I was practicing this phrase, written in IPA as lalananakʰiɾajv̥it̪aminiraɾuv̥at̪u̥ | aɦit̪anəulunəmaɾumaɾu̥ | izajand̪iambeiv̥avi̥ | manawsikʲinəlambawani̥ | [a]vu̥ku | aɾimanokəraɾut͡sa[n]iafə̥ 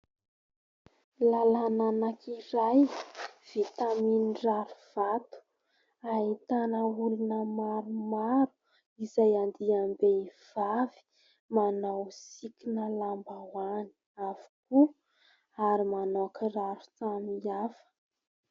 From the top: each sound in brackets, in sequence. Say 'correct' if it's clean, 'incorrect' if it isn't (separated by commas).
correct, correct